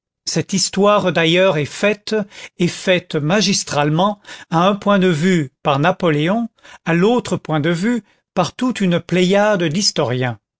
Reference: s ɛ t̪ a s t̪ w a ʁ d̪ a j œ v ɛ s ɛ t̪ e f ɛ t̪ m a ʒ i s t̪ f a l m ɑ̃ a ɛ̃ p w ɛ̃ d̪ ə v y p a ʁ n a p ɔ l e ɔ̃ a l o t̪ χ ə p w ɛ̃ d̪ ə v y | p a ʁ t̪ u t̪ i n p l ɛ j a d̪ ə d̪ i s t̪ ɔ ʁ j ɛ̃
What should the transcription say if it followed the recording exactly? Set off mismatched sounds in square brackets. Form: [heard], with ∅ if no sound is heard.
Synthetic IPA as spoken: s ɛ t̪ [i] s t̪ w a ʁ d̪ a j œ [ʁ] ɛ [f] ɛ t̪ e f ɛ t̪ m a ʒ i s t̪ [χ] a l m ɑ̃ a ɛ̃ p w ɛ̃ d̪ ə v y p a ʁ n a p ɔ l e ɔ̃ a l o t̪ χ ə p w ɛ̃ d̪ ə v y | p a ʁ t̪ u t̪ [y] n p l ɛ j a d̪ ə d̪ i s t̪ ɔ ʁ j ɛ̃